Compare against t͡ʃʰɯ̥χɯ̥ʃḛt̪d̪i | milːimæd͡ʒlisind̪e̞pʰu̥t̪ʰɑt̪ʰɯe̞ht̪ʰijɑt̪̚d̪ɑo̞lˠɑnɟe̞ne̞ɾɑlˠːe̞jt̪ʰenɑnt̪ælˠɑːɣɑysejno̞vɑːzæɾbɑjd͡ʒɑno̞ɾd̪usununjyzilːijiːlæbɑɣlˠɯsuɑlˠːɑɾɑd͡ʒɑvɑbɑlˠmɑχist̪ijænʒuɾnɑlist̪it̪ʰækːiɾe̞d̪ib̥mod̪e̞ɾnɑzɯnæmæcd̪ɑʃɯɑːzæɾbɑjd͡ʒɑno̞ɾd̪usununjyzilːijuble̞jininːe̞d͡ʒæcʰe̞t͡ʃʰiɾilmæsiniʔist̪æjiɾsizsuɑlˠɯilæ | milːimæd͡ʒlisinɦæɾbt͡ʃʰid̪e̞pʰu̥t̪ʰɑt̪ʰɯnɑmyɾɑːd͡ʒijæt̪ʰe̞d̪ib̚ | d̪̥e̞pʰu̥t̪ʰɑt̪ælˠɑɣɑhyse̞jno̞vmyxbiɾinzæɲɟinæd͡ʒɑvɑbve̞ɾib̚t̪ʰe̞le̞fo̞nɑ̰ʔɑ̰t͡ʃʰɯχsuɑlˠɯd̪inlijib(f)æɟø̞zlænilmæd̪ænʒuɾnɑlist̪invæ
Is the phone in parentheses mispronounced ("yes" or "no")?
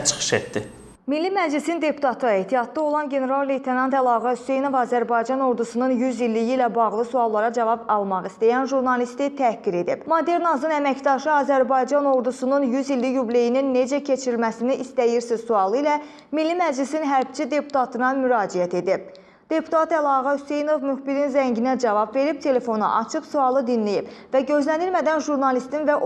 yes